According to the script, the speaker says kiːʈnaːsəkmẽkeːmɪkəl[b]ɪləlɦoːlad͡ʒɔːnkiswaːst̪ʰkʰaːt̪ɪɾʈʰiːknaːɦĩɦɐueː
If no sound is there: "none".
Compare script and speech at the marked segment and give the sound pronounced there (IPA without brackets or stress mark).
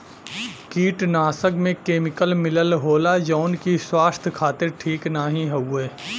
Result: m